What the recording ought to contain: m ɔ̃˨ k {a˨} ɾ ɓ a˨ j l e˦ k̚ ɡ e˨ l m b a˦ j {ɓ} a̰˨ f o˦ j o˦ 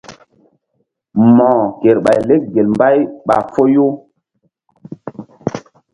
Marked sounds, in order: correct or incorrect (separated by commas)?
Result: incorrect, correct